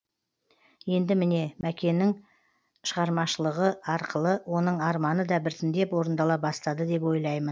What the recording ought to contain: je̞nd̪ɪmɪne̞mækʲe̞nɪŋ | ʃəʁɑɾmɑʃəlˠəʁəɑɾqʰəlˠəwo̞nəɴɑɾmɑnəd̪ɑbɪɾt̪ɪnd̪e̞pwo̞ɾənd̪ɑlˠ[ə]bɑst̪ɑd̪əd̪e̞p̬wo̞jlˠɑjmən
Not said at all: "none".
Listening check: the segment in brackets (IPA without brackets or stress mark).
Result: ɑ